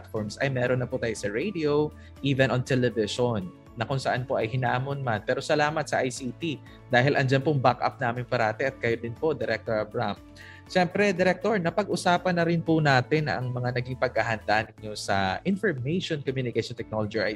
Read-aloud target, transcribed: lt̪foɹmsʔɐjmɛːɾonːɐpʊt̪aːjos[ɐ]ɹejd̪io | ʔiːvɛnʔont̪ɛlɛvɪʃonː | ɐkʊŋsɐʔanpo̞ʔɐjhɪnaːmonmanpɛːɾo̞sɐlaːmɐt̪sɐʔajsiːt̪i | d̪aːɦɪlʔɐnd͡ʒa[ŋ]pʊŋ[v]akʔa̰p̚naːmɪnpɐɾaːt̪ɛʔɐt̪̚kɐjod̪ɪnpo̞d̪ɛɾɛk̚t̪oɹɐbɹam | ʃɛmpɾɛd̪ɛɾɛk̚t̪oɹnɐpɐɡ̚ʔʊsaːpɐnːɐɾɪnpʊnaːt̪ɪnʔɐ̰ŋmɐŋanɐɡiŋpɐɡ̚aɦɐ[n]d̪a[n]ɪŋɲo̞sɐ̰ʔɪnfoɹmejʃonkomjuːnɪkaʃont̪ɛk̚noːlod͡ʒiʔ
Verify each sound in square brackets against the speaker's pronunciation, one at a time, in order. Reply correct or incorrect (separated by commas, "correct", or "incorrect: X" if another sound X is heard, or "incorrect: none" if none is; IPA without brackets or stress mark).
correct, incorrect: n, incorrect: b, correct, correct